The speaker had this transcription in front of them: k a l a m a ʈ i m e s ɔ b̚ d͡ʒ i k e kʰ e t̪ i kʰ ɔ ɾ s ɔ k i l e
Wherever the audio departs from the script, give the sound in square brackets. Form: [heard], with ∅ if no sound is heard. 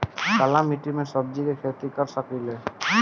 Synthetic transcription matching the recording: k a l a m [i] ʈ i m e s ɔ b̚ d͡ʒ i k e kʰ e t̪ i [k] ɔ ɾ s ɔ k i l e